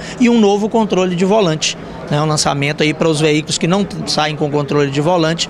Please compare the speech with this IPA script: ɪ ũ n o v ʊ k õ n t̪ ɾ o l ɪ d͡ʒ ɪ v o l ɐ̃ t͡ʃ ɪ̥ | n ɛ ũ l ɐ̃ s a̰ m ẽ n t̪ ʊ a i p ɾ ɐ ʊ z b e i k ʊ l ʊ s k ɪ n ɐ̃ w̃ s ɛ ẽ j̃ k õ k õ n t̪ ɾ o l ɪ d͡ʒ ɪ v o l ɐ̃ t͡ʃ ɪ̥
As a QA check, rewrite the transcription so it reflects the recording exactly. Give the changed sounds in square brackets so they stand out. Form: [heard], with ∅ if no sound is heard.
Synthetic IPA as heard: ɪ ũ n o v ʊ k õ n t̪ ɾ o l ɪ d͡ʒ ɪ v o l ɐ̃ t͡ʃ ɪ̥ | n ɛ ũ l ɐ̃ s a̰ m ẽ n t̪ ʊ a i p ɾ ɐ ʊ z [v] e i k ʊ l ʊ s k ɪ n ɐ̃ w̃ s [a] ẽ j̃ k õ k õ n t̪ ɾ o l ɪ d͡ʒ ɪ v o l ɐ̃ t͡ʃ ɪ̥